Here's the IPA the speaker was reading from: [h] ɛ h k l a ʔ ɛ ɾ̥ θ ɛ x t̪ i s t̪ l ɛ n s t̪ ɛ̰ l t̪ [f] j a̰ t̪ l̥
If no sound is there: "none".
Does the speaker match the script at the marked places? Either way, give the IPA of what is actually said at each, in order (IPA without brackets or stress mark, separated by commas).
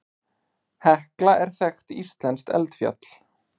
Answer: h, f